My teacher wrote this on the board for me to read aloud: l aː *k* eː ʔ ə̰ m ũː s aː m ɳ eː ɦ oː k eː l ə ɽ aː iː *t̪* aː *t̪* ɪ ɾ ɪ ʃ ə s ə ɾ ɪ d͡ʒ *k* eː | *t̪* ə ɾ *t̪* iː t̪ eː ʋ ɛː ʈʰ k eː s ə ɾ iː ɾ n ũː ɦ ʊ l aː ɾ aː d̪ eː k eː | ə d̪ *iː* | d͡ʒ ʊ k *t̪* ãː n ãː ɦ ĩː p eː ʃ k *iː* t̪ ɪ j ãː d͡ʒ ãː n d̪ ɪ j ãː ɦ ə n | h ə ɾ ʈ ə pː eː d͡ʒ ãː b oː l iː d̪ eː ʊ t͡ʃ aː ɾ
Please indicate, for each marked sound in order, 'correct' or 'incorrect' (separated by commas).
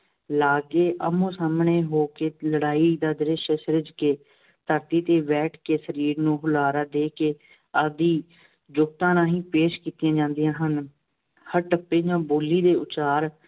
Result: incorrect, incorrect, incorrect, correct, correct, correct, correct, correct, correct